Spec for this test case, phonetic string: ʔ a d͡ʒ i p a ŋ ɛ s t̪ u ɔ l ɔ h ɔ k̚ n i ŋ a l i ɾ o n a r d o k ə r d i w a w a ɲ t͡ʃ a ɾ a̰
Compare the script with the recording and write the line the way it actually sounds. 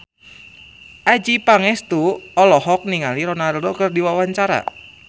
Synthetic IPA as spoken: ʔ a d͡ʒ i p a ŋ ɛ s t̪ u ɔ l ɔ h ɔ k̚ n i ŋ a l i ɾ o n a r d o k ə r d i w a w a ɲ t͡ʃ a ɾ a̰